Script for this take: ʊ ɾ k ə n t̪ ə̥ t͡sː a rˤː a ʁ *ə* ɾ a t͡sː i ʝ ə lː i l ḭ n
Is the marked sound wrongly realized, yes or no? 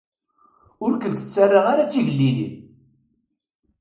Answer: yes